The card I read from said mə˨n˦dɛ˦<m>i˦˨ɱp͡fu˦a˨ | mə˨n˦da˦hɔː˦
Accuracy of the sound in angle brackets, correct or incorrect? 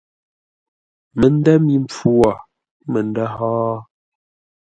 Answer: correct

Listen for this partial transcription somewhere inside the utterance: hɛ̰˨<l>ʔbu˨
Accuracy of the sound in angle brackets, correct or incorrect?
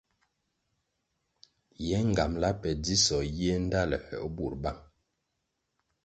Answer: incorrect: none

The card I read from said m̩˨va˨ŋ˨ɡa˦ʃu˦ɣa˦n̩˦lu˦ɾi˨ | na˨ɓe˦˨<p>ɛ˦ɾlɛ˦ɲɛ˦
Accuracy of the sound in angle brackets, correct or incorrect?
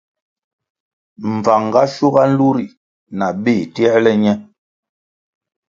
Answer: incorrect: t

